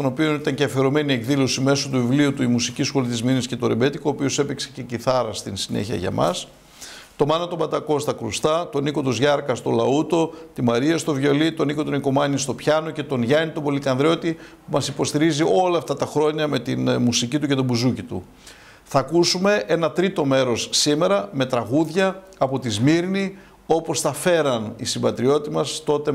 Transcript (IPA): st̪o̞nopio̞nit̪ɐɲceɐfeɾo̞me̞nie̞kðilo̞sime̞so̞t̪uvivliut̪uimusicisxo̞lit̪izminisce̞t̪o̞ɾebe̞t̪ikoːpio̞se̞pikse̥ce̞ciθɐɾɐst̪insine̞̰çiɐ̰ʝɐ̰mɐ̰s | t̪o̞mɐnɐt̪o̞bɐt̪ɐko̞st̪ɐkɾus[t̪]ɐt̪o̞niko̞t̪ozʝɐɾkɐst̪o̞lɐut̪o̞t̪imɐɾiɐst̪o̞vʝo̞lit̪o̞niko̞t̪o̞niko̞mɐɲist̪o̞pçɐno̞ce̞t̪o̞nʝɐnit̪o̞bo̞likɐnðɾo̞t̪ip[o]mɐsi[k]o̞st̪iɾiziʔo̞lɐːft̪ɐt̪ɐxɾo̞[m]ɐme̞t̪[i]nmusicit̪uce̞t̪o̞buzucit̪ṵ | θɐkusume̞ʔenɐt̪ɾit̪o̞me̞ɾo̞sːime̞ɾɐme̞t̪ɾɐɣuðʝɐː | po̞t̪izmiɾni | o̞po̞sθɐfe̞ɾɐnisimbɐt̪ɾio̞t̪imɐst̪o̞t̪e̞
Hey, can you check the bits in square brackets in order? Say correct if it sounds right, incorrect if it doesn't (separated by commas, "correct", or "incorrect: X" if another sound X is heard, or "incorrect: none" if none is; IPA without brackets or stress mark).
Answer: correct, incorrect: u, incorrect: p, incorrect: ɲ, correct